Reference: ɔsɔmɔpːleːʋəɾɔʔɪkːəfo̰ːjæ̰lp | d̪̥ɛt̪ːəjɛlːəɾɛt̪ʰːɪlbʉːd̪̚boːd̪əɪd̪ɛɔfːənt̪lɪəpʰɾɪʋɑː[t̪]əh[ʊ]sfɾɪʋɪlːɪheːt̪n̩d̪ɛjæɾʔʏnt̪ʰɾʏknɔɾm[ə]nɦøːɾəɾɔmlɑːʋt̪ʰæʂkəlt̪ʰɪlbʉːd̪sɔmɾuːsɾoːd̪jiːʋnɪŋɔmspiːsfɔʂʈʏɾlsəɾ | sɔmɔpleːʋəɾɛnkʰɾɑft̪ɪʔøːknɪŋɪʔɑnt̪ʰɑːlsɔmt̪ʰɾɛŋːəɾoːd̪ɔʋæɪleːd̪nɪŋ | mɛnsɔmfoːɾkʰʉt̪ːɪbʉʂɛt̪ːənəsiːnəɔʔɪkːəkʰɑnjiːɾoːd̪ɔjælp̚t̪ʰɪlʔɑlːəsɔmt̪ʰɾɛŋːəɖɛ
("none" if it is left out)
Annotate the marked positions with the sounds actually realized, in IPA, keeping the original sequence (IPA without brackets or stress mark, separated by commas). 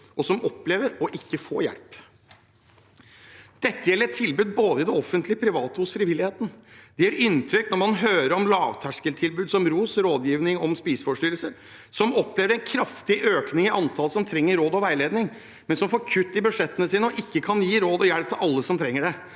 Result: t̪, ʊ, ɑ